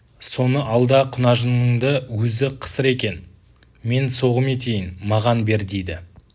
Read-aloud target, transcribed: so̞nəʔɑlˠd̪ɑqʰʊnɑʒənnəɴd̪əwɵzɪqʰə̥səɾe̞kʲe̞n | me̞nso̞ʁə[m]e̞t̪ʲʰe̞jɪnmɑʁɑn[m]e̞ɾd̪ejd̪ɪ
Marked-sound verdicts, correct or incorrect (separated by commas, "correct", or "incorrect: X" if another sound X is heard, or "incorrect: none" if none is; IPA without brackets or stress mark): correct, incorrect: b